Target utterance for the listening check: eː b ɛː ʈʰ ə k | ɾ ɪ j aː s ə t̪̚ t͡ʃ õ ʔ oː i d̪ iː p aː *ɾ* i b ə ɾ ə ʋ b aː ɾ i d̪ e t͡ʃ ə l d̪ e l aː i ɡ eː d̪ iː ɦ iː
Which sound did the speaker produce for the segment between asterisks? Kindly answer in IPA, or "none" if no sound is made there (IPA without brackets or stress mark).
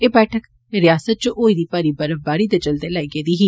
ɾ